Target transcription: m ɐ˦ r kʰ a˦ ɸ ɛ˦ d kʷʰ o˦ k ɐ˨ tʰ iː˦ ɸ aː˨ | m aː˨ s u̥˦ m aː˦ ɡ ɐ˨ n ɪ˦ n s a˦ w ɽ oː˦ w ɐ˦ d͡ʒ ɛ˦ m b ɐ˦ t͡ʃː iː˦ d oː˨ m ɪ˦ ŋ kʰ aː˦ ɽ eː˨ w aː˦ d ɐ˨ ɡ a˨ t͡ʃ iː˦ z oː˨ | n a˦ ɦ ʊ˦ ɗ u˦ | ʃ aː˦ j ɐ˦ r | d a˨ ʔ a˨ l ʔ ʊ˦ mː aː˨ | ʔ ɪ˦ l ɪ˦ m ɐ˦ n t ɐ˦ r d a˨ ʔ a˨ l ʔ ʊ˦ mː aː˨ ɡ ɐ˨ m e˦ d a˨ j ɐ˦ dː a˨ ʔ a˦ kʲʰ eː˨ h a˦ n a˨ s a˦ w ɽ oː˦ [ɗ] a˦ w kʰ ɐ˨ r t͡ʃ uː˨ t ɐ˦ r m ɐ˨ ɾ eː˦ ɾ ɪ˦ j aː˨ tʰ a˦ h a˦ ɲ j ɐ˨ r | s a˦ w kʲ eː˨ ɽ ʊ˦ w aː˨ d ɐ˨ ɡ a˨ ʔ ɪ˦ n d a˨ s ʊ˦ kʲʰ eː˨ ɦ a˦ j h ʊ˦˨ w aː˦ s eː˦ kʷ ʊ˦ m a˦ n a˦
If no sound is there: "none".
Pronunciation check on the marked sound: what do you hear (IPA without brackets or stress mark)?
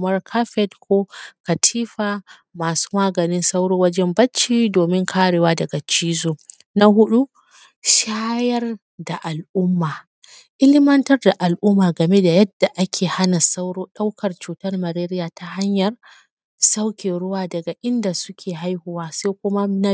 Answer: ɗ